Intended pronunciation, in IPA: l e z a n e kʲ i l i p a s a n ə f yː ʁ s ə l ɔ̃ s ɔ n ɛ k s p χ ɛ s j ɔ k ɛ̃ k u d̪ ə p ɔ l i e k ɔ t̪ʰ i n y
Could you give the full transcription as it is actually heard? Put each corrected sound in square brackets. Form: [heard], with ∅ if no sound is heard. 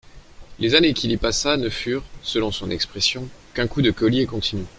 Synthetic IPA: l e z a n e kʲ i l i p a s a n ə f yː ʁ s ə l ɔ̃ s [ɔ̃] n ɛ k s p χ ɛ s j [ɔ̃] k ɛ̃ k u d̪ ə [k] ɔ l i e k [ɔ̃] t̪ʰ i n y